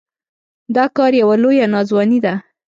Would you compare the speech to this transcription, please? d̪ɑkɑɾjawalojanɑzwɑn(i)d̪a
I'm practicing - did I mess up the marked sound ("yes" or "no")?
no